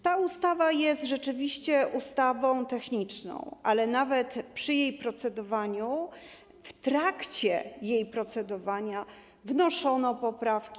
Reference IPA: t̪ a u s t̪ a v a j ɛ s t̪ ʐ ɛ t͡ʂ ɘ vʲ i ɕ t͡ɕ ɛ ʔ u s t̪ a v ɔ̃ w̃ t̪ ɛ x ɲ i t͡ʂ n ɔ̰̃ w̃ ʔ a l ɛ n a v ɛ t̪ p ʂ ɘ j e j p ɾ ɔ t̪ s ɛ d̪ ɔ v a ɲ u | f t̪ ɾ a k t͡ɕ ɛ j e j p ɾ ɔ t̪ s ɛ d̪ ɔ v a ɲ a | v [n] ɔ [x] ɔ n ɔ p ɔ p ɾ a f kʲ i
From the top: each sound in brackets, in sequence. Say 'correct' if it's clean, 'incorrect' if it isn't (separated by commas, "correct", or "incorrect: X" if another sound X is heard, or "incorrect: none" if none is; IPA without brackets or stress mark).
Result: correct, incorrect: ʂ